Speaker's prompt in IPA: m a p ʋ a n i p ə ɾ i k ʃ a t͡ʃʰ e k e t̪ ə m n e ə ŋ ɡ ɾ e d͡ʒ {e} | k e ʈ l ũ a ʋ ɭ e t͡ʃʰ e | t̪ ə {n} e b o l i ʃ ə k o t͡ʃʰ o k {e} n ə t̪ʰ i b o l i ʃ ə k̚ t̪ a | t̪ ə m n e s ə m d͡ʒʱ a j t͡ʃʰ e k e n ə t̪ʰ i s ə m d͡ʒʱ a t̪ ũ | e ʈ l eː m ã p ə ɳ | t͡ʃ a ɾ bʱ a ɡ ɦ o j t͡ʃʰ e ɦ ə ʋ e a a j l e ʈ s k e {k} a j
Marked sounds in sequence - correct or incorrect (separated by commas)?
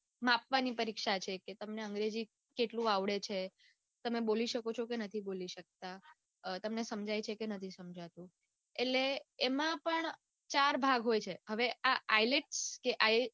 incorrect, incorrect, correct, incorrect